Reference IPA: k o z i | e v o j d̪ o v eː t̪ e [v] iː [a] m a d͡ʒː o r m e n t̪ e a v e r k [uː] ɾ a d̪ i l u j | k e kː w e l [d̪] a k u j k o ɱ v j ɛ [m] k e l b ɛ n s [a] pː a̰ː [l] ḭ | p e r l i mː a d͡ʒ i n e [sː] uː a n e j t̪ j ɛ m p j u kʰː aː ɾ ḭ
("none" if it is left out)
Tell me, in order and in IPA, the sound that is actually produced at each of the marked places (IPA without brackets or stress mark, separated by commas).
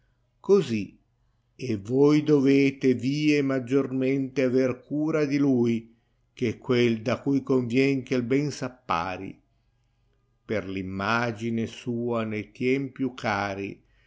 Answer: v, e, uː, d̪, ŋ, a, ɾ, s